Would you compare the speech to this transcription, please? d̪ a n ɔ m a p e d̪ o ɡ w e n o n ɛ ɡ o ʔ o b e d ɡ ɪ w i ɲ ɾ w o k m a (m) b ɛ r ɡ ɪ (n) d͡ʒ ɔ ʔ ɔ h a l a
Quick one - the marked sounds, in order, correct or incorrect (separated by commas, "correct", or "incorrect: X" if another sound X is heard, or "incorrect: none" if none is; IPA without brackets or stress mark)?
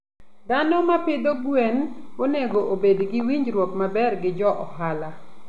incorrect: none, incorrect: none